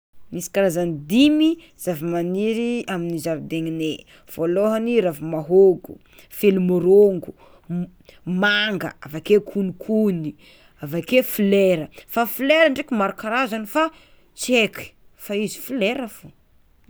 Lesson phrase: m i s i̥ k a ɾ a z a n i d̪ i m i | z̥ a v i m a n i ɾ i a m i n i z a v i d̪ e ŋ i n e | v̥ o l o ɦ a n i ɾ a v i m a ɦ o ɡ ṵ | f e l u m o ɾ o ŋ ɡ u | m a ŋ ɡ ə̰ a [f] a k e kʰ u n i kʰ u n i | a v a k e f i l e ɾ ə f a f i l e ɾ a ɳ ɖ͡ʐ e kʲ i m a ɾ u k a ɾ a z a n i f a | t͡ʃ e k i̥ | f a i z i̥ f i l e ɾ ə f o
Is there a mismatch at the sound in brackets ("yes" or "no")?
yes